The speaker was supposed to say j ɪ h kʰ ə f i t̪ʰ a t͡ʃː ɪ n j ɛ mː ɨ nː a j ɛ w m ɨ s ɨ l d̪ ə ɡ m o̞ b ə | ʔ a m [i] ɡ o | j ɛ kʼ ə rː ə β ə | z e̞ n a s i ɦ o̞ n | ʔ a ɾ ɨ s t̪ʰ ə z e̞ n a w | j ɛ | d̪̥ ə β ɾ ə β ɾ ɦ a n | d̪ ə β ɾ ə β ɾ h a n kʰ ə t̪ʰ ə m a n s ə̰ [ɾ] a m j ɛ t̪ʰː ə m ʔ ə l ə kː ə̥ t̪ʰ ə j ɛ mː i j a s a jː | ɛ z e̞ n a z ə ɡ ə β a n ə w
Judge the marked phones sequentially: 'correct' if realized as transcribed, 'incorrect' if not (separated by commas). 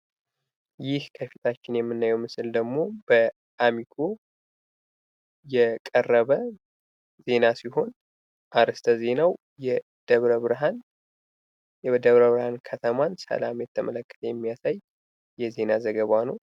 correct, incorrect